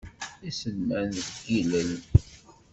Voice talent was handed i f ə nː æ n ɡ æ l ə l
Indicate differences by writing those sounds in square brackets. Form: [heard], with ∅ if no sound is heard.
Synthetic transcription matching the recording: i [s] ə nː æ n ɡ [i] l ə l